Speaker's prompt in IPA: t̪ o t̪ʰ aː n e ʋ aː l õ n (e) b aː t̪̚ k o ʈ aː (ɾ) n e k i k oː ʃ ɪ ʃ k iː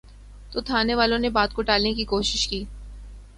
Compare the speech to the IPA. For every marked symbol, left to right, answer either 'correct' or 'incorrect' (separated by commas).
correct, incorrect